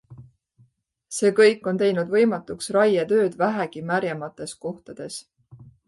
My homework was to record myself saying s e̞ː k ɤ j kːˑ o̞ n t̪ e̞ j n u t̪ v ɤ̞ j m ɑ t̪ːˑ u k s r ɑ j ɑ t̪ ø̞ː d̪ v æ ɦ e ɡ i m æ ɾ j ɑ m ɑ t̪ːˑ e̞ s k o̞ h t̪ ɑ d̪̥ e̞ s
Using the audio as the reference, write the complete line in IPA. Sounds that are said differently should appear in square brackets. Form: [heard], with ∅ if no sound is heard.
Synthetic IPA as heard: s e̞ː k ɤ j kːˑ o̞ n t̪ e̞ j n u [d̪] v ɤ̞ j m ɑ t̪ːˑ u k s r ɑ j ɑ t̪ ø̞ː d̪ v æ ɦ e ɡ i m æ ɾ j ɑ m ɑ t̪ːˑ e̞ s k o̞ h t̪ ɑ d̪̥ e̞ s